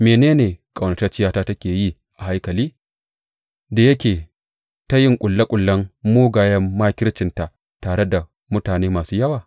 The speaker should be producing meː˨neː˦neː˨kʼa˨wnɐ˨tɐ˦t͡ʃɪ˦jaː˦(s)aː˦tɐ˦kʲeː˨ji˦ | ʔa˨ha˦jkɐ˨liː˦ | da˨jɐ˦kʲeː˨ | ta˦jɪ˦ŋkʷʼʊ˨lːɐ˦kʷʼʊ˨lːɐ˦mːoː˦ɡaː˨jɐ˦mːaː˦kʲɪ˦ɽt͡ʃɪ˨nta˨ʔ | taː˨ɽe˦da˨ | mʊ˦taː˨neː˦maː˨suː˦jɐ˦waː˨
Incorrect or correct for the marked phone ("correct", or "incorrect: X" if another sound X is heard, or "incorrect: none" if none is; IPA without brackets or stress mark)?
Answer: incorrect: t